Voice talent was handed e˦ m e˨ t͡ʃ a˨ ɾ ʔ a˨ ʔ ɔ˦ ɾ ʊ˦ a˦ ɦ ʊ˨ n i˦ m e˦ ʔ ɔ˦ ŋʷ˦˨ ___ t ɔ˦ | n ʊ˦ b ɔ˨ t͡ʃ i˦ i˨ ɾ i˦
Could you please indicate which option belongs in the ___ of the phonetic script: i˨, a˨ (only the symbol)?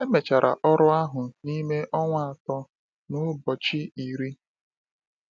a˨